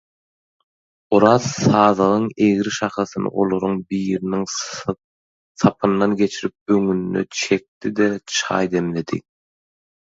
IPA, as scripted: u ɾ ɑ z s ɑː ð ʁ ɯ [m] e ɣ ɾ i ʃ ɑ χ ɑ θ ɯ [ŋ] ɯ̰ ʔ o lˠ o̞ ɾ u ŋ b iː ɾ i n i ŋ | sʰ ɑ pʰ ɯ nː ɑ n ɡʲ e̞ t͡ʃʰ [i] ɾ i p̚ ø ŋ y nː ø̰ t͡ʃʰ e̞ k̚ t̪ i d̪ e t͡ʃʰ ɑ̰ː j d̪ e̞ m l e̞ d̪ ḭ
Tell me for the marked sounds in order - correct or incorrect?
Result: incorrect: ŋ, incorrect: n, correct

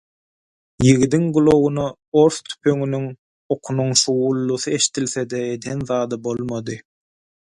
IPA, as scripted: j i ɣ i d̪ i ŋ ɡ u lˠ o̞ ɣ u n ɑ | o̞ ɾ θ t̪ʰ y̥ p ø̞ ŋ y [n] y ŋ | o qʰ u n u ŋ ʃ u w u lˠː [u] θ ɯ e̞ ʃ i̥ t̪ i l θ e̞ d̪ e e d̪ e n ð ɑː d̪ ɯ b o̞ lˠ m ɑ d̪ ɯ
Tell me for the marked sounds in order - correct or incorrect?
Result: correct, correct

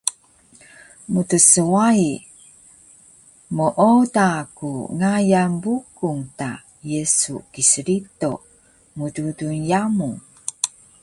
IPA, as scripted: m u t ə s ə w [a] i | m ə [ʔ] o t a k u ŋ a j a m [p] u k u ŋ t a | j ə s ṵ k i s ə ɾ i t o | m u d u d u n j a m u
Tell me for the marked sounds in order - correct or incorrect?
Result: correct, correct, incorrect: b

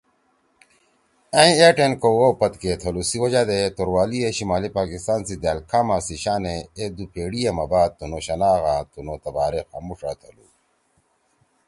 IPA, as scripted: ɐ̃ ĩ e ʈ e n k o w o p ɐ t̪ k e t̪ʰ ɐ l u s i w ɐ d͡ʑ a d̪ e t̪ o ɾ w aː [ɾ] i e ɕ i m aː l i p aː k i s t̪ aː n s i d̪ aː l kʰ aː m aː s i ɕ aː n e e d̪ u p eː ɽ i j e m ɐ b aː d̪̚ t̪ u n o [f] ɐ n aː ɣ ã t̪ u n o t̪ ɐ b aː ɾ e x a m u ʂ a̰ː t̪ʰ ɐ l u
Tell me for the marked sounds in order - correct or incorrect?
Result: incorrect: l, incorrect: ɕ

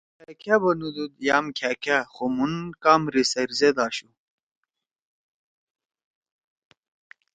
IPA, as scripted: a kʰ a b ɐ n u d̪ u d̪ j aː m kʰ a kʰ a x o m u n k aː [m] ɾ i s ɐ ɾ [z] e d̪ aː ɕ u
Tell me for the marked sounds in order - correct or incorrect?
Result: correct, correct

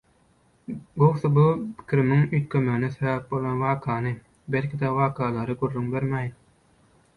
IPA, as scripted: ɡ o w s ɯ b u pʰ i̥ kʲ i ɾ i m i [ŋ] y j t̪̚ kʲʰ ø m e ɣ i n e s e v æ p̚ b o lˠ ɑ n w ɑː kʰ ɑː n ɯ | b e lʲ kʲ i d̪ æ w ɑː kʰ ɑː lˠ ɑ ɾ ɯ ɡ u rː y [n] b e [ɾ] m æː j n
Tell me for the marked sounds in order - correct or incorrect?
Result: correct, incorrect: ŋ, correct

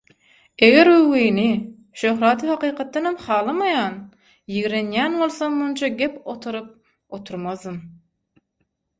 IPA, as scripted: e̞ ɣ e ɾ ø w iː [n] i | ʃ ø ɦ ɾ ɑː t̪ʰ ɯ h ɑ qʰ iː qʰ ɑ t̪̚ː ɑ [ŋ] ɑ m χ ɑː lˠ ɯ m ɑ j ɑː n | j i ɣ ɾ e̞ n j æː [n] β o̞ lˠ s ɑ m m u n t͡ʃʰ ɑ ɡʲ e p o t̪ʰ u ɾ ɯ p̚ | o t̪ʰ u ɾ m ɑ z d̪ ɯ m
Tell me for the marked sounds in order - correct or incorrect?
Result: correct, incorrect: n, correct

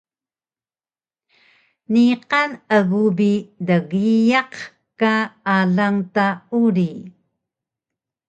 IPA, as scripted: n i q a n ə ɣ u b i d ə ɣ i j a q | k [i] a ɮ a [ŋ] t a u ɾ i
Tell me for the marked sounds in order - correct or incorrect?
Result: incorrect: a, correct

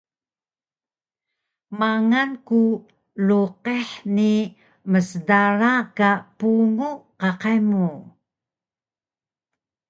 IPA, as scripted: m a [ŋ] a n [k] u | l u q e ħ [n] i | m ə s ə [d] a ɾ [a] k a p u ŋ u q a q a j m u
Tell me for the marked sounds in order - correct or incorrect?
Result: correct, correct, correct, correct, correct

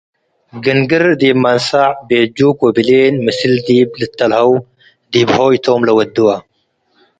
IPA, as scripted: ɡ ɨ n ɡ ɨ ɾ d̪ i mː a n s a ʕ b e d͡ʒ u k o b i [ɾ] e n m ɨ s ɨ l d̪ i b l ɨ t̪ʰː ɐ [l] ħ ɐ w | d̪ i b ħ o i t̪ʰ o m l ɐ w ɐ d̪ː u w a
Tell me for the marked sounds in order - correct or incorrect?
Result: incorrect: l, correct

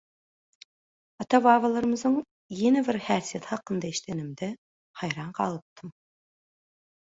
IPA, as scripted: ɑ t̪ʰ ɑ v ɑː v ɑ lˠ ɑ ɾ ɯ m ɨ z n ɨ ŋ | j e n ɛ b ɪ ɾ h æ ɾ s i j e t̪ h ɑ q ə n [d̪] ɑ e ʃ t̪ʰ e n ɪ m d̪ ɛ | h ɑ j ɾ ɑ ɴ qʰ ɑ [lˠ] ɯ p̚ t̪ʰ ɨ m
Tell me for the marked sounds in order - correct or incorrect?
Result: correct, correct

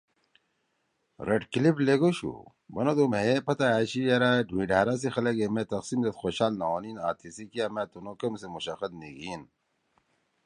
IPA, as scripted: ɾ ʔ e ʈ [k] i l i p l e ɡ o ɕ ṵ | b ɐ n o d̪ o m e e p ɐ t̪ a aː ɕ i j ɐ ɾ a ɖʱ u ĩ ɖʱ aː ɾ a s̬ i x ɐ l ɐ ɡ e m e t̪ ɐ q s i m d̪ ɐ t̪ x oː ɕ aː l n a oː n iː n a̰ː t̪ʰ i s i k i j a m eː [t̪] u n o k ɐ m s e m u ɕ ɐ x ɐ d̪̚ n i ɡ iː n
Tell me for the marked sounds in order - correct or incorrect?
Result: correct, correct

